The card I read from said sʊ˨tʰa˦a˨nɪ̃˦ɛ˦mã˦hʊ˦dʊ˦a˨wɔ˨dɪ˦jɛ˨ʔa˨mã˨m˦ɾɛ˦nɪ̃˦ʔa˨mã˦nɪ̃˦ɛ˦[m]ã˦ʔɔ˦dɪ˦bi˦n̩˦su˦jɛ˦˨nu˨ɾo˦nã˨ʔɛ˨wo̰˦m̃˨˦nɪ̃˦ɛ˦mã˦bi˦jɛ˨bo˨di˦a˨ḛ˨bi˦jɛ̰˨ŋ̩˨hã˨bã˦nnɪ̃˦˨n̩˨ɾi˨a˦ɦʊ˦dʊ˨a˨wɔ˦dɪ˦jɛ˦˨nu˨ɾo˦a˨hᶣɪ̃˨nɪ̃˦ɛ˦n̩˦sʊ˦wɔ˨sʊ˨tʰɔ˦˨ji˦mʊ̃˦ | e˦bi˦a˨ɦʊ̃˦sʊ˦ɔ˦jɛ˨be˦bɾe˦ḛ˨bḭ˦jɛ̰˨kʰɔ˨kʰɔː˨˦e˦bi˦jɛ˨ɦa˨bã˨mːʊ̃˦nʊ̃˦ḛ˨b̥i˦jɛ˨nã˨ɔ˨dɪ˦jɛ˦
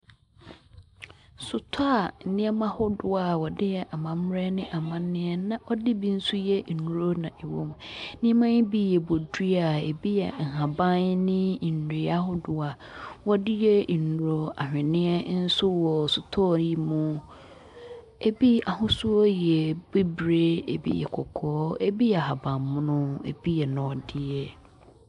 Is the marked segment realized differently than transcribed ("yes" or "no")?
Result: yes